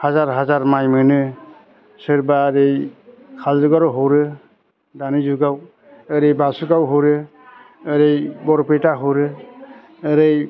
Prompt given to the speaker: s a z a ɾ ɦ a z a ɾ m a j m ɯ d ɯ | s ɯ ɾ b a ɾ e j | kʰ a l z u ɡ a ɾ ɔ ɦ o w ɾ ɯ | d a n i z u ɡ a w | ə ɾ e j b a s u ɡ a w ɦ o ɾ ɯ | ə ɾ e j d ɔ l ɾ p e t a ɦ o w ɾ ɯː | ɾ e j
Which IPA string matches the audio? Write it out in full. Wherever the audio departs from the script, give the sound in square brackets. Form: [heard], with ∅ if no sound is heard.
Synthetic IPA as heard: [h] a z a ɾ ɦ a z a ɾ m a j m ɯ [n] ɯ | s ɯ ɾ b a ɾ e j | kʰ a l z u ɡ a ɾ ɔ ɦ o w ɾ ɯ | d a n i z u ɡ a w | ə ɾ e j b a s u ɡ a w ɦ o ɾ ɯ | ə ɾ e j [b] ɔ [∅] ɾ p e t a ɦ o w ɾ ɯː | ɾ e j